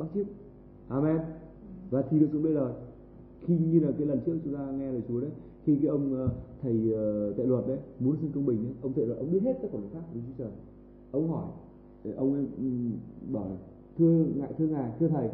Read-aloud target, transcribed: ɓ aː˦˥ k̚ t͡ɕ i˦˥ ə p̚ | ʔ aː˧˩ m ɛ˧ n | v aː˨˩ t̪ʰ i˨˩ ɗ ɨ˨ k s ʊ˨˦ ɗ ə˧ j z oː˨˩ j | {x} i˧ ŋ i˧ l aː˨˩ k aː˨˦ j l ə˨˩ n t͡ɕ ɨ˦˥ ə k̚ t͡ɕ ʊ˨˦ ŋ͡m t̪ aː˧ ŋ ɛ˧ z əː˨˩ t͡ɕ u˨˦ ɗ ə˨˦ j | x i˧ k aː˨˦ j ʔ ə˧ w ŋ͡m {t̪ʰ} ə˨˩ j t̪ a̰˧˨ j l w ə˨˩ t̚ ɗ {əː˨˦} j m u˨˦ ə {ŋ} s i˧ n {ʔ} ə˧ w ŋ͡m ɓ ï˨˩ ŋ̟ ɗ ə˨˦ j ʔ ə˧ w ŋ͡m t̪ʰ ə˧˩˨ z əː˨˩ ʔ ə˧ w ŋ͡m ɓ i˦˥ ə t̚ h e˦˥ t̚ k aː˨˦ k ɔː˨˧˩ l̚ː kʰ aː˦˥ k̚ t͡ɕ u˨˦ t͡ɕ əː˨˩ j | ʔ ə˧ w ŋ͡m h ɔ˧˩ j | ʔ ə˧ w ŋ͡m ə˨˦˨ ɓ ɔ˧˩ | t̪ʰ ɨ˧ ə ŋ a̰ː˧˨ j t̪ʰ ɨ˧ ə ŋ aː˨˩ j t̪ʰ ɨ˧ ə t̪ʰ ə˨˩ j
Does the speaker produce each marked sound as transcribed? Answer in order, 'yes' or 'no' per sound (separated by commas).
yes, yes, no, no, no